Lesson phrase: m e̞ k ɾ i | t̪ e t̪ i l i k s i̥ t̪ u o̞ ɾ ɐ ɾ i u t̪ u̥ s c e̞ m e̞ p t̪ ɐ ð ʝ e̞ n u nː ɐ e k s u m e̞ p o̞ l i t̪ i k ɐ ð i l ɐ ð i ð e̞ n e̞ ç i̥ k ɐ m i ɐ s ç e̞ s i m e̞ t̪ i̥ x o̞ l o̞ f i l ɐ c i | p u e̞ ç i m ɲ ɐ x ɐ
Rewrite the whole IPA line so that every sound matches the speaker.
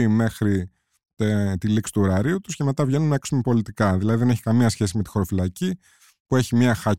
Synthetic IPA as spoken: m e̞ x ɾ i | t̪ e t̪ i l i k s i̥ t̪ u o̞ ɾ ɐ ɾ i u t̪ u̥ s c e̞ m e̞ t̪ ɐ v ʝ e̞ n u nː ɐ e k s u m e̞ p o̞ l i t̪ i k ɐ ð i l ɐ ð i ð e̞ n e̞ ç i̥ k ɐ m i ɐ s ç e̞ s i m e̞ t̪ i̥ x o̞ ɾ o̞ f i l ɐ c i | p u e̞ ç i m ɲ ɐ x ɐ